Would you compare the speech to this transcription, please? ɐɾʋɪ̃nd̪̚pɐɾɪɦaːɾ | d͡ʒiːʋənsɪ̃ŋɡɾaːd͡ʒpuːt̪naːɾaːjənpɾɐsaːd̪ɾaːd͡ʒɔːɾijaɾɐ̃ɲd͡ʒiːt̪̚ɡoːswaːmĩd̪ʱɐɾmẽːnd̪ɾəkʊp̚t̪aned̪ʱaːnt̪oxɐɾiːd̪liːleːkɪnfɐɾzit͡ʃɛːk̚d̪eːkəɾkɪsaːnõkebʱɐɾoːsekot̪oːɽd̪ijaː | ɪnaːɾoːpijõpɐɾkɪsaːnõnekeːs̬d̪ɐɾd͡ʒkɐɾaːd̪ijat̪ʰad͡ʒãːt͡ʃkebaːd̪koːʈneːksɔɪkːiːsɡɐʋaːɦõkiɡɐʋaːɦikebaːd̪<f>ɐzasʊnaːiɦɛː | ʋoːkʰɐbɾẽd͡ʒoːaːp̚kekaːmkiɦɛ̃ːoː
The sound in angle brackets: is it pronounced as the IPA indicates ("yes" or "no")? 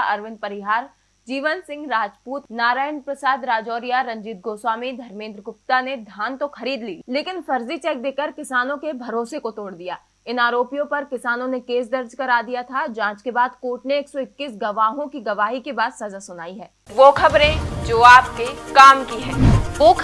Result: no